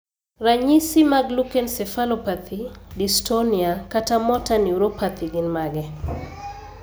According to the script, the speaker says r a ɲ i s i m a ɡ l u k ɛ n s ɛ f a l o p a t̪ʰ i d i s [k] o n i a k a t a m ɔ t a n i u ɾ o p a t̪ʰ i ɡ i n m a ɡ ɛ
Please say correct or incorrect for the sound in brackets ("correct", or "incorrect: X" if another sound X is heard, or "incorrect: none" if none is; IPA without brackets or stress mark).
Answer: incorrect: t